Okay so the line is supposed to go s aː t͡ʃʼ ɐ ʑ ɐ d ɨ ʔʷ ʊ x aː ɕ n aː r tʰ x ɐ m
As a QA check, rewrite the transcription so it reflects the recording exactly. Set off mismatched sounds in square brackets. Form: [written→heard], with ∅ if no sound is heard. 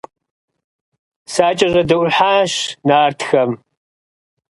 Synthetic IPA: s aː t͡ʃʼ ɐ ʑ ɐ d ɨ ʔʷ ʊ [x→ħ] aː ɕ n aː r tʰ x ɐ m